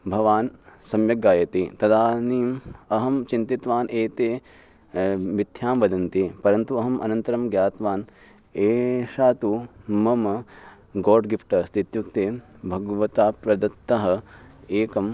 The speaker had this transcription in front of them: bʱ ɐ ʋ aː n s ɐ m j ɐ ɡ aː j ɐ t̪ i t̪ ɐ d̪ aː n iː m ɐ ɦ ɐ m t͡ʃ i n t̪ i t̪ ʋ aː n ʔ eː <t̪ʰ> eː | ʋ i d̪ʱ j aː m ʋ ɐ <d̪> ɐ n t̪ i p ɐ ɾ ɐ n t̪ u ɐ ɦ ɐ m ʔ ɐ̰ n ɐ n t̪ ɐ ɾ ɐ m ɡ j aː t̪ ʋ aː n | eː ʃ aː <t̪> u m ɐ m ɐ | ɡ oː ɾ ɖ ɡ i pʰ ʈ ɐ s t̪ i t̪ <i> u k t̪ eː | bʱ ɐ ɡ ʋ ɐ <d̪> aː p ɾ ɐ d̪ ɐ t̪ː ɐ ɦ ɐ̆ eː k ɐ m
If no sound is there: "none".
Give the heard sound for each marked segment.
t̪, d̪, t̪, j, t̪

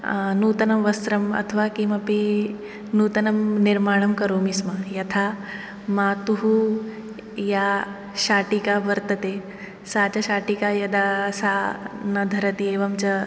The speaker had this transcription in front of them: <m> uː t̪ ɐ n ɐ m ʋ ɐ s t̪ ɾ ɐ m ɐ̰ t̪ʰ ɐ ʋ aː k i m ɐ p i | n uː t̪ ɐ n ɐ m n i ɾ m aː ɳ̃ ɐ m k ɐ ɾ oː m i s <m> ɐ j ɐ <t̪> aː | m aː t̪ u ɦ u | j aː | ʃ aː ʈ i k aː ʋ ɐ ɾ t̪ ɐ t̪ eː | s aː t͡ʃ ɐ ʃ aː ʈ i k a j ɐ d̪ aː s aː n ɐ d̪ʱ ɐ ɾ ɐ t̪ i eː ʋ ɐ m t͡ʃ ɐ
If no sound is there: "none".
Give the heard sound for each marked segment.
n, m, t̪ʰ

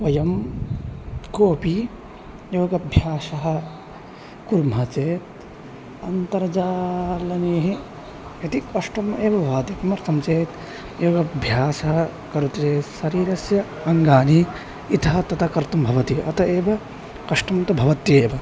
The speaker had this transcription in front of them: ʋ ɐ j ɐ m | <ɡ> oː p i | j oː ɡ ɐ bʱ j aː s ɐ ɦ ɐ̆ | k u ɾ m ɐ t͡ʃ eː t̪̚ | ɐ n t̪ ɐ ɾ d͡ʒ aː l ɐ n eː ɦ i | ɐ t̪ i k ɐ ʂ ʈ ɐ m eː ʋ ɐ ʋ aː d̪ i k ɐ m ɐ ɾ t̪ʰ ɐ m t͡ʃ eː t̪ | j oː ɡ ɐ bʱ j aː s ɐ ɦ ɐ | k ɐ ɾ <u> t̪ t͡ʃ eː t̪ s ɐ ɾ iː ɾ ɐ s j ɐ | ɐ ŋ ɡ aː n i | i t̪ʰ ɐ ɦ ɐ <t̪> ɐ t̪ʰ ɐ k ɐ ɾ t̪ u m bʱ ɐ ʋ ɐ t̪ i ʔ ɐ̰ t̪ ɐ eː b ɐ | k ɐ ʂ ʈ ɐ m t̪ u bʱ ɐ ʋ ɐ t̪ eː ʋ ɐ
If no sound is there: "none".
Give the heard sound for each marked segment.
k, u, t̪

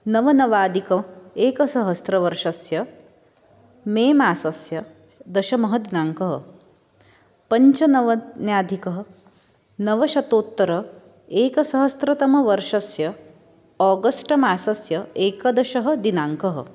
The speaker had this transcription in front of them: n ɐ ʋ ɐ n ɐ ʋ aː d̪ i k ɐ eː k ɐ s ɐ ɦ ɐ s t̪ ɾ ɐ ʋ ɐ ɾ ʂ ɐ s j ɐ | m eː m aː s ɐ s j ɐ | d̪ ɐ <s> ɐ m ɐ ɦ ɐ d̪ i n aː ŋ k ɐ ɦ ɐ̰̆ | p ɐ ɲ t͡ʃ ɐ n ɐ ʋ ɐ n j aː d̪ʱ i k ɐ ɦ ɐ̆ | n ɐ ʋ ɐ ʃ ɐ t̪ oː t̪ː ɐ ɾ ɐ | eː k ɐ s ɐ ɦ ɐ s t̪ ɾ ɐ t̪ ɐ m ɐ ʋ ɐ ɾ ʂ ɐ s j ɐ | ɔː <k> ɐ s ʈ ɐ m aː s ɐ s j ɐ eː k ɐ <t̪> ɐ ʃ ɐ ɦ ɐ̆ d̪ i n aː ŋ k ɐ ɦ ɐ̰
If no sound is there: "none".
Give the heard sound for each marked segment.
ʃ, ɡ, d̪

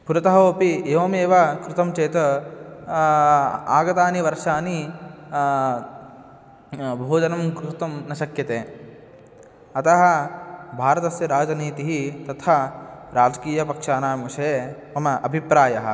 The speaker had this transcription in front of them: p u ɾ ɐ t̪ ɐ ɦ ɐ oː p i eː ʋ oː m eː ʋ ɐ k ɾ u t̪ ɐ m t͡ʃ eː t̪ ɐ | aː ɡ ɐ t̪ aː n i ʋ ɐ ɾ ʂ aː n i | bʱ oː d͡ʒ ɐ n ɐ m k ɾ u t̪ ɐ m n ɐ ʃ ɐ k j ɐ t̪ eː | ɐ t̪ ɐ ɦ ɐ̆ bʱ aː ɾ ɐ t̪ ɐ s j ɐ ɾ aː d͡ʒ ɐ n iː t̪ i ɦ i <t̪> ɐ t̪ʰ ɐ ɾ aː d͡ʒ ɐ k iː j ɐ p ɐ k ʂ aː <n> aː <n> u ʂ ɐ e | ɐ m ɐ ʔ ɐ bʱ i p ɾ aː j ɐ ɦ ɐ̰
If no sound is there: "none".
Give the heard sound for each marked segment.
t̪, n, m

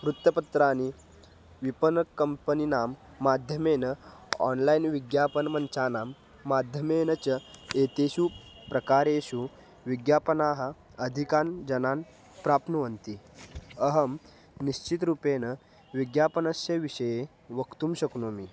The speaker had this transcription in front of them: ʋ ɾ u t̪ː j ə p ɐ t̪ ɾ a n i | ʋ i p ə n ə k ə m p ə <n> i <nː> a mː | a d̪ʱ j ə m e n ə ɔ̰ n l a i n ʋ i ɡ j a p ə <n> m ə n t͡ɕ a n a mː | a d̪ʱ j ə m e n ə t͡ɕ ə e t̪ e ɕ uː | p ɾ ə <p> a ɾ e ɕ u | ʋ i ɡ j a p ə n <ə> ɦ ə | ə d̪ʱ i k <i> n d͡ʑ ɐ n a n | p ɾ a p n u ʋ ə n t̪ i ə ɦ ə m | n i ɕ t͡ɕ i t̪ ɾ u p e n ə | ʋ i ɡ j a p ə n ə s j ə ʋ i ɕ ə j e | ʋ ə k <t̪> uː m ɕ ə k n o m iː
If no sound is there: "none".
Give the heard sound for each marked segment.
n, n, n, k, a, a, t̪

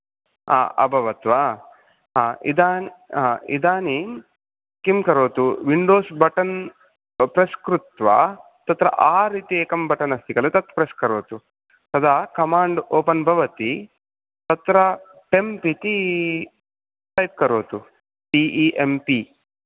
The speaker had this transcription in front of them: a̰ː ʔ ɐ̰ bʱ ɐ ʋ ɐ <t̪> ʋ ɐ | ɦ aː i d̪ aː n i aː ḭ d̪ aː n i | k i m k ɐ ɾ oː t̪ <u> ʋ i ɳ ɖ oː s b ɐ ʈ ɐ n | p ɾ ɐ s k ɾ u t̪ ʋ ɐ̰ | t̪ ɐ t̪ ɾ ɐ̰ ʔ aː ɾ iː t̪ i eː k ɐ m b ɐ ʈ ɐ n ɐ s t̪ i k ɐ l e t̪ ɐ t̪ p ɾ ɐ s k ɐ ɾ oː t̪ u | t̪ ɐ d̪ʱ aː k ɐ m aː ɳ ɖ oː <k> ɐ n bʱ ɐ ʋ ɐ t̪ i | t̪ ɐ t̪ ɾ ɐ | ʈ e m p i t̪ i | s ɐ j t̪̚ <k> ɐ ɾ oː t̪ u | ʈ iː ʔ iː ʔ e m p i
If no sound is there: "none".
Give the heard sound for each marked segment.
t̪, u, p, k

